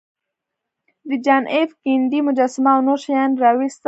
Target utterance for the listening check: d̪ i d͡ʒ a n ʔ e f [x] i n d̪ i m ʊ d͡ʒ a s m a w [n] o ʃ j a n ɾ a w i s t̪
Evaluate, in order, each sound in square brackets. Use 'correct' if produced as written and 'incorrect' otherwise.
incorrect, correct

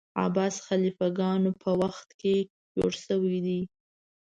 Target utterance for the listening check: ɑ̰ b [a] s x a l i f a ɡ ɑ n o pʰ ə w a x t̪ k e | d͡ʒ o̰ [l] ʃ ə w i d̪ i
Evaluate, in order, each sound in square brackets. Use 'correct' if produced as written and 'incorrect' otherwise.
incorrect, incorrect

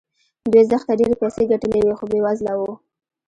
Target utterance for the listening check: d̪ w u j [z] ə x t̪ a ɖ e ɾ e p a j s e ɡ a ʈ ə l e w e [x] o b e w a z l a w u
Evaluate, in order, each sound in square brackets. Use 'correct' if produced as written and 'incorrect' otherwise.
correct, correct

